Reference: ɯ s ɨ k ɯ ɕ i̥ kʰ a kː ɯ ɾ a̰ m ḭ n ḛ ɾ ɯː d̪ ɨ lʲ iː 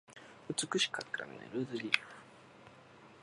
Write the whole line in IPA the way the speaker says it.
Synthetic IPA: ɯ t͡s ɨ k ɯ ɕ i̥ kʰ a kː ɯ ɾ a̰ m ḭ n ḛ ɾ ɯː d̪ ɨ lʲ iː